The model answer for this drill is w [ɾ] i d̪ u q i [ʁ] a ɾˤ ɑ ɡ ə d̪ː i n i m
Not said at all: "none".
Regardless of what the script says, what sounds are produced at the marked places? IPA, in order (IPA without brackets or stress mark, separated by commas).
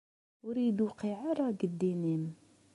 ɾ, ʕ